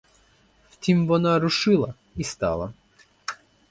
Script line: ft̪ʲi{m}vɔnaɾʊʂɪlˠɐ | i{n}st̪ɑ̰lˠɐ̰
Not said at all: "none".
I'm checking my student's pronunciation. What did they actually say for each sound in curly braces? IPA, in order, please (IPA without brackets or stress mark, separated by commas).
m, none